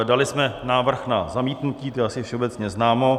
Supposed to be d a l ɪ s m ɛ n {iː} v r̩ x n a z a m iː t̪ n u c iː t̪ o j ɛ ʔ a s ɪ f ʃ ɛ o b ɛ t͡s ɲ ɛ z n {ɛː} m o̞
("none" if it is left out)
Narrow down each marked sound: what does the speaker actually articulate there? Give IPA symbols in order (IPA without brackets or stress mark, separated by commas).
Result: aː, aː